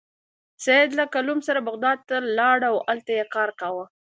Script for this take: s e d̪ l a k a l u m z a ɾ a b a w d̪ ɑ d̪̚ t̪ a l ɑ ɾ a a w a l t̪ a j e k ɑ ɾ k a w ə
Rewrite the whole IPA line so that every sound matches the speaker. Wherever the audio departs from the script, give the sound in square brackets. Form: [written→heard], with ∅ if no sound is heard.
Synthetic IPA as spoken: s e d̪ l a k a l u m [z→s] a ɾ a b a [w→ɣ] d̪ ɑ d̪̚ t̪ a l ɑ [ɾ→ɽ] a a w a l t̪ a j e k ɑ ɾ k a w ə